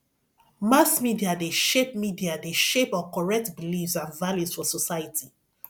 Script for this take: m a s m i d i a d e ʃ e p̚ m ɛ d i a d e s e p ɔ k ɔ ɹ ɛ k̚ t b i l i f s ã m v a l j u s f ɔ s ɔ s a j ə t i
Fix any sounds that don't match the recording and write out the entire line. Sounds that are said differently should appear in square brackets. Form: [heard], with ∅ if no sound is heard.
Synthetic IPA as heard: m a s m i d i a d e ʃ e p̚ m [i] d i a d e [ʃ] e p ɔ k ɔ ɹ ɛ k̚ t b i l i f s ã [n] v a l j u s f ɔ s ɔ s a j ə t i